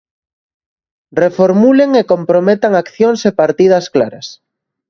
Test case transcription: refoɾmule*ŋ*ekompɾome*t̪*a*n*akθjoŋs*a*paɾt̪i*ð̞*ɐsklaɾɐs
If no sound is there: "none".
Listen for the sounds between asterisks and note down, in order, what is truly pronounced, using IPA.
ŋ, t̪, ŋ, e, ð̞

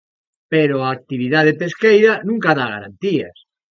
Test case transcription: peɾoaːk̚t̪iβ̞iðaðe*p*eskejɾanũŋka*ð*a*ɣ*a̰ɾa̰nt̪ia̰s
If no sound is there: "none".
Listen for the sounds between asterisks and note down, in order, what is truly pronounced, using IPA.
p, ð, ɣ

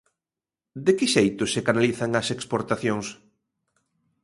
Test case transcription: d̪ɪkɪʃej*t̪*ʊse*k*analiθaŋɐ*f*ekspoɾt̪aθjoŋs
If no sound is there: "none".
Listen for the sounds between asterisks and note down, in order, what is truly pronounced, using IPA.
t̪, k, s

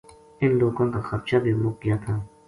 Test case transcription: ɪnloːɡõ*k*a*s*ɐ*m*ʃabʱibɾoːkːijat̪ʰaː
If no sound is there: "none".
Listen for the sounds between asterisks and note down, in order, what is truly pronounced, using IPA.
k, x, b

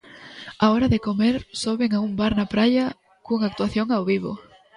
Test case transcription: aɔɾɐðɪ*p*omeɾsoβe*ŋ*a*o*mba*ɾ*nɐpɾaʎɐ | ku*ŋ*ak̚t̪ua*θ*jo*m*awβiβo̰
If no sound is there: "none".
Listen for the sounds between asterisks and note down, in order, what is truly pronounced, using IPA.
k, ŋ, u, ɾ, ŋ, θ, ŋ

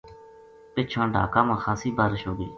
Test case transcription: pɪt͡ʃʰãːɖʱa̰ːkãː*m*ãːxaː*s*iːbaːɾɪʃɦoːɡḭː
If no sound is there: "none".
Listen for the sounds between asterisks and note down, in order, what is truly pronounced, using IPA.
m, s

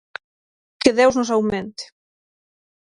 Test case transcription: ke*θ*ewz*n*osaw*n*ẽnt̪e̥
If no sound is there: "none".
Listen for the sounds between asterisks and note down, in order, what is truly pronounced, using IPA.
ð, n, m

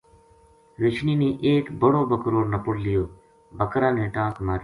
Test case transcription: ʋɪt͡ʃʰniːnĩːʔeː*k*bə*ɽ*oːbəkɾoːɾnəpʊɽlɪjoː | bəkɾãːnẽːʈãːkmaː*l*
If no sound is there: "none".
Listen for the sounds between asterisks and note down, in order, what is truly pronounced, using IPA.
k, ɽ, ɾ

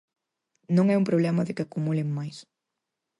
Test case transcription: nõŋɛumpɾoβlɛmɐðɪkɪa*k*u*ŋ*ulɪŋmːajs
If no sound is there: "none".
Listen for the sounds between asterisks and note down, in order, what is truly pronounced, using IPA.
k, m

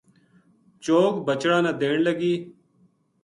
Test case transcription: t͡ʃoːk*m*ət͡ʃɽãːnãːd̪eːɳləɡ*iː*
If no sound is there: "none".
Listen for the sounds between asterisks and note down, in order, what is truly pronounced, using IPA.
b, iː

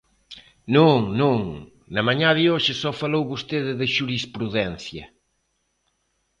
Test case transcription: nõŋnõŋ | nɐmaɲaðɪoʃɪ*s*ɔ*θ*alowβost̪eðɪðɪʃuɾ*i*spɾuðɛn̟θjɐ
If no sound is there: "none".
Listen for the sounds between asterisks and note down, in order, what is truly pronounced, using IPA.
s, f, i

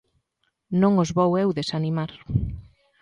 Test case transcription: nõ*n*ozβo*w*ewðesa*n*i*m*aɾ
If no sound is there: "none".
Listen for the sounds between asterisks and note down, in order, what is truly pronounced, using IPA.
ŋ, w, n, m

